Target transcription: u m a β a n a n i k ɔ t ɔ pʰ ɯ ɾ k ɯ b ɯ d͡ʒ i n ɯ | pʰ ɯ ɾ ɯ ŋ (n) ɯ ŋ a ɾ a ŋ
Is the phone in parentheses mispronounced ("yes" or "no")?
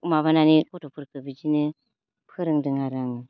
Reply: yes